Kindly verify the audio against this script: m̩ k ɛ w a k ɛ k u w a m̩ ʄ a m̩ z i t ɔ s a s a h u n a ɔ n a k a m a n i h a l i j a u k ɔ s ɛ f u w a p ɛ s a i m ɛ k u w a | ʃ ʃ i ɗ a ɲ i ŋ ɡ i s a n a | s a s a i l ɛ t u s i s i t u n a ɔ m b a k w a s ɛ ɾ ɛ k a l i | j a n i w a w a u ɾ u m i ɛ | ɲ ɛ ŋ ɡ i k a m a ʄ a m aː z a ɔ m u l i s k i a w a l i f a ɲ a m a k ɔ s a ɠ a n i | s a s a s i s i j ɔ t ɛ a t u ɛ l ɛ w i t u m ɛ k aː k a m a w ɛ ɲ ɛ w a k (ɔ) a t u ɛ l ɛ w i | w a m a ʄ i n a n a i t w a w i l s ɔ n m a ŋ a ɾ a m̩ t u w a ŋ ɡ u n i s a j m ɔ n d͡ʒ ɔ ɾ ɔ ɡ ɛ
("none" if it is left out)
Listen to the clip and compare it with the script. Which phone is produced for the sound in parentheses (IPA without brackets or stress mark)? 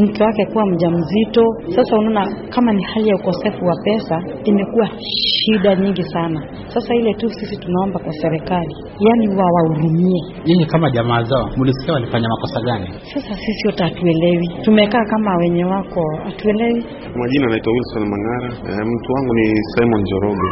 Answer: ɔ